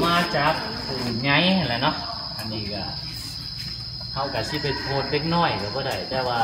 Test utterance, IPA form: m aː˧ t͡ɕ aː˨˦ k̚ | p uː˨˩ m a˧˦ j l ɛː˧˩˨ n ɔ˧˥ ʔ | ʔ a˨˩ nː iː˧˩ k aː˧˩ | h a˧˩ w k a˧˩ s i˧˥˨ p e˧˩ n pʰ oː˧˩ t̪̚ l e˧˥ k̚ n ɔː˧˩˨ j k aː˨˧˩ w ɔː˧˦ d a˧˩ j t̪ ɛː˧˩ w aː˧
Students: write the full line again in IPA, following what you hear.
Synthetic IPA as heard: m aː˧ t͡ɕ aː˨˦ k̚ | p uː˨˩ ɲ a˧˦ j l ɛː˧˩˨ n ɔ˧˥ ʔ | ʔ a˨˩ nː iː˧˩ k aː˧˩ | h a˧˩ w k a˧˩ s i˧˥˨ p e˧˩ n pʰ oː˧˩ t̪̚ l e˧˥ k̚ n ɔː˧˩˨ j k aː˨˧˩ b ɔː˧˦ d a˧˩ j t̪ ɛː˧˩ w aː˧